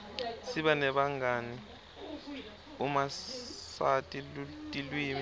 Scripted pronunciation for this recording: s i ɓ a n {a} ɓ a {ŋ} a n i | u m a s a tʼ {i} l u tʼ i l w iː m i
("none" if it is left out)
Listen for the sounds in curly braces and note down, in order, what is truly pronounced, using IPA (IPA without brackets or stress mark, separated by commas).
ɛ, ŋ, i